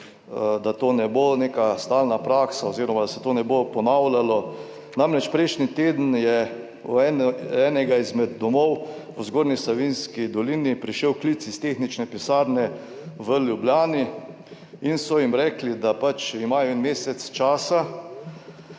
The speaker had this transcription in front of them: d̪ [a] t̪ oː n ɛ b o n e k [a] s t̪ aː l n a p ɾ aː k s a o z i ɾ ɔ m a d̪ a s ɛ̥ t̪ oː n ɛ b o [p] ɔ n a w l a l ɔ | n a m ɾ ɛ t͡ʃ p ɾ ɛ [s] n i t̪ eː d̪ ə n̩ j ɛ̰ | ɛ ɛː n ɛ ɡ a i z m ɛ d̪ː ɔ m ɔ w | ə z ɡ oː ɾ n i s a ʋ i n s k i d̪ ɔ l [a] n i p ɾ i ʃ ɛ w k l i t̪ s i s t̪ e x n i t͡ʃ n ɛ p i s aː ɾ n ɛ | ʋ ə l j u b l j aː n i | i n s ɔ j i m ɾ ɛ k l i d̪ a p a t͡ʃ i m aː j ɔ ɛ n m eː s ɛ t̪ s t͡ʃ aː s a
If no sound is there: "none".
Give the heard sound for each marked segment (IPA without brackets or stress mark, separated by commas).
a, a, p, ʃ, i